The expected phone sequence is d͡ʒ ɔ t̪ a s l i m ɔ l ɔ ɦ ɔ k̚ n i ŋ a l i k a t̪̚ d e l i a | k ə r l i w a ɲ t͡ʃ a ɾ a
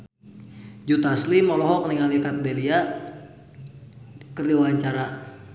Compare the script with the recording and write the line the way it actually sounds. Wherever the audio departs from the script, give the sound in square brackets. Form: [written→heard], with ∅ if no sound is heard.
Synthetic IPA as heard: d͡ʒ [ɔ→u] t̪ a s l i m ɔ l ɔ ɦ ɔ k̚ n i ŋ a l i k a t̪̚ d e l i a | k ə r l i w a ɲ t͡ʃ a ɾ a